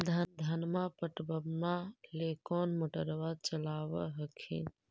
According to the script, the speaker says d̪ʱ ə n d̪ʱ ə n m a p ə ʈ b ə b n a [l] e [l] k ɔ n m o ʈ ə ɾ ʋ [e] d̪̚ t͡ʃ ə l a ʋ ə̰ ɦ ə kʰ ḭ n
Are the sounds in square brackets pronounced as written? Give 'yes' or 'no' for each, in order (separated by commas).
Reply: yes, no, no